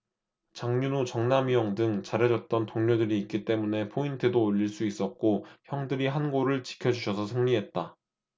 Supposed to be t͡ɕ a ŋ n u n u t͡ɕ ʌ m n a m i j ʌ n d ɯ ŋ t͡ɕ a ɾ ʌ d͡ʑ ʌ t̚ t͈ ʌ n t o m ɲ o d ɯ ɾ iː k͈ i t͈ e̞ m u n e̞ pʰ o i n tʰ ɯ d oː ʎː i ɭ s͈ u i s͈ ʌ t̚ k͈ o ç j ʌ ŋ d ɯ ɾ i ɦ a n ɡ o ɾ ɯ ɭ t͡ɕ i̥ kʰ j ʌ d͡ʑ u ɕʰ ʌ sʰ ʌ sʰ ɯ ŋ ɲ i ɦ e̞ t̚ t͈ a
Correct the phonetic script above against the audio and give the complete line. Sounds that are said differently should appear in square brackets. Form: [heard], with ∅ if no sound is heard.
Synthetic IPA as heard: t͡ɕ a ŋ [ɲ] u n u t͡ɕ ʌ [ŋ] n a m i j ʌ [ŋ] d ɯ ŋ t͡ɕ a ɾ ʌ d͡ʑ ʌ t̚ t͈ ʌ n t o [ŋ] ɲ o d ɯ ɾ iː k͈ i t͈ e̞ m u n e̞ pʰ o i n tʰ ɯ d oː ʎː i ɭ s͈ u i s͈ ʌ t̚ k͈ o ç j ʌ ŋ d ɯ ɾ i ɦ a n ɡ o ɾ ɯ ɭ t͡ɕ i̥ kʰ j ʌ d͡ʑ u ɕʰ ʌ sʰ ʌ sʰ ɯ ŋ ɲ i ɦ e̞ t̚ t͈ a